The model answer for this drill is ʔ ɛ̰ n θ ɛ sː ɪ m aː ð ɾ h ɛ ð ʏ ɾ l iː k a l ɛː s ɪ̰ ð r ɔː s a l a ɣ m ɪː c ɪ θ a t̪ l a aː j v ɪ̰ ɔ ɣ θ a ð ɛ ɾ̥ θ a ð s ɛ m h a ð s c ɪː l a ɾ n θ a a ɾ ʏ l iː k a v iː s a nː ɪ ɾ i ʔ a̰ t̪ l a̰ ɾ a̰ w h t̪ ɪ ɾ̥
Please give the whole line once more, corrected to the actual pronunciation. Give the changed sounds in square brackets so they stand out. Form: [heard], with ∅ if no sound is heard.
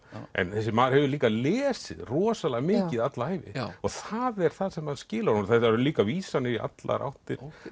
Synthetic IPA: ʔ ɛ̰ n θ ɛ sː ɪ m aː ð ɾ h ɛ [v] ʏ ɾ l iː k a l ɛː s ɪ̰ ð r ɔː s a l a ɣ m ɪː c ɪ [ð] a t̪ l a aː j v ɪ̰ ɔ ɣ θ a ð ɛ ɾ̥ θ a ð s ɛ m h a ð s c ɪː l a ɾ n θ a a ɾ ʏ l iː k a v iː s a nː ɪ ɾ i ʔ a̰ t̪ l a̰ ɾ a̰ w h t̪ ɪ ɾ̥